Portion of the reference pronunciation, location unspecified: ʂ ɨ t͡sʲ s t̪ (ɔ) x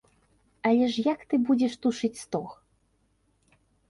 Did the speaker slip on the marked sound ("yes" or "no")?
no